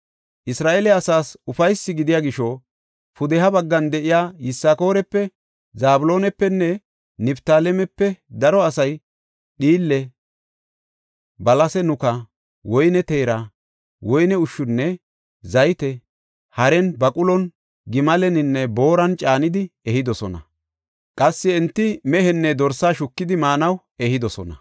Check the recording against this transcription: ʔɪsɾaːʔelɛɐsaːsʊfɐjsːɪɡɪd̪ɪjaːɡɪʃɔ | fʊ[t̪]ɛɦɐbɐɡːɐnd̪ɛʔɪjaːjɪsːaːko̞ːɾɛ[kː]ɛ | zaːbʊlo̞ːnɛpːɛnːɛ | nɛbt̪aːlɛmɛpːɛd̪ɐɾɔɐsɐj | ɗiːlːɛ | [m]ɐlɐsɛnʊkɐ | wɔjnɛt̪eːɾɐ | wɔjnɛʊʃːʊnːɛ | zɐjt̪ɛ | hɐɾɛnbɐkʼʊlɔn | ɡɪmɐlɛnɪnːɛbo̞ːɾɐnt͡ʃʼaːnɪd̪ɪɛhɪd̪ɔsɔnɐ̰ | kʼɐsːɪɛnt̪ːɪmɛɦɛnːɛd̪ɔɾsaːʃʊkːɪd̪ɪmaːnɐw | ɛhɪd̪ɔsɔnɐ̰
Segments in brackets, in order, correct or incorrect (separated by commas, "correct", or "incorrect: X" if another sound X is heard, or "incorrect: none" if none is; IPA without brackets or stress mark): incorrect: d̪, incorrect: pː, incorrect: b